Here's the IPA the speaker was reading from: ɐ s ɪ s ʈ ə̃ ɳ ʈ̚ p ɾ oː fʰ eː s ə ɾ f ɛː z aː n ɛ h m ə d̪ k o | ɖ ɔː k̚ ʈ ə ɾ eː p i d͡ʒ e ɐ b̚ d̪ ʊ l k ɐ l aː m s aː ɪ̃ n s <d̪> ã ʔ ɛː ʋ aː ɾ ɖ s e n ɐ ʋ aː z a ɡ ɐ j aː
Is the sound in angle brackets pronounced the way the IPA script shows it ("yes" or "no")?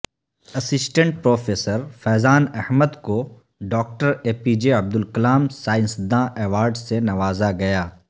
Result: yes